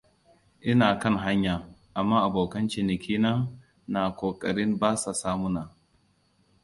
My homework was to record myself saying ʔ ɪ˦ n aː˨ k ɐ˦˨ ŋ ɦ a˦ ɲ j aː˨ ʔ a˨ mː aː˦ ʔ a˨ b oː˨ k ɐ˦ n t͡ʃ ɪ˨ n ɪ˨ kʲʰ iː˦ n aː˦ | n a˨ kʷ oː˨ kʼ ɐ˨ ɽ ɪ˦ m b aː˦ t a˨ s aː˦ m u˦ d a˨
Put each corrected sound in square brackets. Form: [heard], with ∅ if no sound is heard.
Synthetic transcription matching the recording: ʔ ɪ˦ n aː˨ k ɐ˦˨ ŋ ɦ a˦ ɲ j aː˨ ʔ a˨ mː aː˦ ʔ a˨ b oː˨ k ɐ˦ n t͡ʃ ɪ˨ n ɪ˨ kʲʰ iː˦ n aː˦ | n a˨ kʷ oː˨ kʼ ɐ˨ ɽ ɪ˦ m b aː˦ [s] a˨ s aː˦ m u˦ [n] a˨

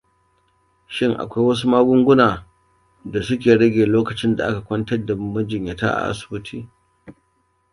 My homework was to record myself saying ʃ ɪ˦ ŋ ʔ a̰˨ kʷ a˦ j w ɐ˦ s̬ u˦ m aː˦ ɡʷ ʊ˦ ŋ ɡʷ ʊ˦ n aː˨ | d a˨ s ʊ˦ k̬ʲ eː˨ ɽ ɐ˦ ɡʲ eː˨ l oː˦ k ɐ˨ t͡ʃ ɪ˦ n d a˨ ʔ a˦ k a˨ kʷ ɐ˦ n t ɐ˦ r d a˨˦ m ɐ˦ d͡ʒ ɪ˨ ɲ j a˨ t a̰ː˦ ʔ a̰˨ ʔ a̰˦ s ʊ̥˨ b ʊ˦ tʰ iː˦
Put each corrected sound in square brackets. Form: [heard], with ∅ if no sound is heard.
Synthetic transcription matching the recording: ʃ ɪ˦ ŋ ʔ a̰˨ kʷ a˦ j w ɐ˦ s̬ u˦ m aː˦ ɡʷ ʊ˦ ŋ ɡʷ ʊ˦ n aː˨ | d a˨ s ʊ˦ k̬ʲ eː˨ ɽ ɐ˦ ɡʲ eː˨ l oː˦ k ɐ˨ t͡ʃ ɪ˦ n d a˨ ʔ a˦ k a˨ kʷ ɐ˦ n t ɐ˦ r d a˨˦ m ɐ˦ d͡ʒ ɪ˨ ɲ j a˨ t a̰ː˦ ʔ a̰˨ ʔ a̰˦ s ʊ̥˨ b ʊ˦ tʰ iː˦

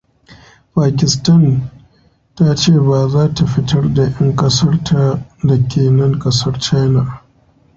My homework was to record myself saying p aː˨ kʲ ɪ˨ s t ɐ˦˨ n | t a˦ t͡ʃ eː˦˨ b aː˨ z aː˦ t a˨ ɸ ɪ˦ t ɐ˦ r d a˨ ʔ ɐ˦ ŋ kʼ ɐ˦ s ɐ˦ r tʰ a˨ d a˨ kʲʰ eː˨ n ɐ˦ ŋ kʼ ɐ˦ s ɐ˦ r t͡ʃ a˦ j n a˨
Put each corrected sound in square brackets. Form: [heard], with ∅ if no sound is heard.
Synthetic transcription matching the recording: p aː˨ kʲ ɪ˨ s t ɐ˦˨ n | t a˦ t͡ʃ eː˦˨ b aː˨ z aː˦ t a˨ ɸ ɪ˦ t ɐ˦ r d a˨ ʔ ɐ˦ ŋ kʼ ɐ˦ s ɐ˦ r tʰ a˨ d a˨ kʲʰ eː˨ n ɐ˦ ŋ kʼ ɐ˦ s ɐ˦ r t͡ʃ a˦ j n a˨

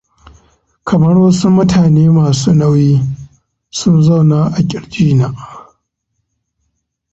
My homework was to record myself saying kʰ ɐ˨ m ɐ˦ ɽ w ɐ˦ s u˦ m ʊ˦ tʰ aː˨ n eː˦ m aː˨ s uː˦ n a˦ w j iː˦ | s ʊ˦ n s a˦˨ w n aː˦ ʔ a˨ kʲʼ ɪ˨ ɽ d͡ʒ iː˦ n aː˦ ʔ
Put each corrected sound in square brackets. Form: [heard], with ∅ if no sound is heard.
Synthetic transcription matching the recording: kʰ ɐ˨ m ɐ˦ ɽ w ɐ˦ s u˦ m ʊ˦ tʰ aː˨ n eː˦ m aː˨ s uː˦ n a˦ w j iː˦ | s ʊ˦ n [z] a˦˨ w n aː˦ ʔ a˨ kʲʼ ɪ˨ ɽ d͡ʒ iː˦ n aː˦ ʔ

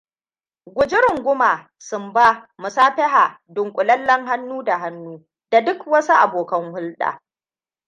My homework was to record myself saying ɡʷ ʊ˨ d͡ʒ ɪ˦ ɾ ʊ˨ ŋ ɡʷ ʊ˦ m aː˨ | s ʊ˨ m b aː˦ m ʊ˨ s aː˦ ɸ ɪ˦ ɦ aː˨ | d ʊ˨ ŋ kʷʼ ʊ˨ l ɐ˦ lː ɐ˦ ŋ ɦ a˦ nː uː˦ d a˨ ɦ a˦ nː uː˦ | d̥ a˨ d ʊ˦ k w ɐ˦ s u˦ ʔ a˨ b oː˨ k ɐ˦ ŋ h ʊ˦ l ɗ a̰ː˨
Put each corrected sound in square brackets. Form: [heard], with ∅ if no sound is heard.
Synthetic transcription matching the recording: ɡʷ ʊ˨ d͡ʒ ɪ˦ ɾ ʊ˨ ŋ ɡʷ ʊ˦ m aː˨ | s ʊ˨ m b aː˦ m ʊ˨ s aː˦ ɸ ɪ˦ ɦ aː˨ | d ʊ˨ ŋ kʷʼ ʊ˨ l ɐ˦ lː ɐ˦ ŋ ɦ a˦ nː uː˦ d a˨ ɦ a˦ nː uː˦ | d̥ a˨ d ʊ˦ k w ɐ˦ s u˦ ʔ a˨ b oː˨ k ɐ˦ ŋ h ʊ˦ l ɗ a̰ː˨

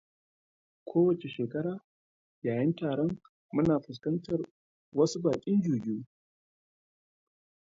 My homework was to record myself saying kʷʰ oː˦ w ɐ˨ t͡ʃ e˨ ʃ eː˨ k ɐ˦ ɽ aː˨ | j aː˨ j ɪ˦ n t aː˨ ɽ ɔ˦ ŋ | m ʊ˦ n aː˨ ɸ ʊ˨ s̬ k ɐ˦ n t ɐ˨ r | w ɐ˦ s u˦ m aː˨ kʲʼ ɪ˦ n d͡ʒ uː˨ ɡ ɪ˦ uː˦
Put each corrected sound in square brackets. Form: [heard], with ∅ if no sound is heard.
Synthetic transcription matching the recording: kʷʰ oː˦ w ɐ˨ t͡ʃ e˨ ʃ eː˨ k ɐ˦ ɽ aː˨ | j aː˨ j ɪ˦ n t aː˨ ɽ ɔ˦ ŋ | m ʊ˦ n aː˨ ɸ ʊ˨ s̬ k ɐ˦ n t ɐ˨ r | w ɐ˦ s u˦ [b] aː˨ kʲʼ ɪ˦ n d͡ʒ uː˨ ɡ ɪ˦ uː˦

